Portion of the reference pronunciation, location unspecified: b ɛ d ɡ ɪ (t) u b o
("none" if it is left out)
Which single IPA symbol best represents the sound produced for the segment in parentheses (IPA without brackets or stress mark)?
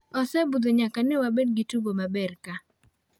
t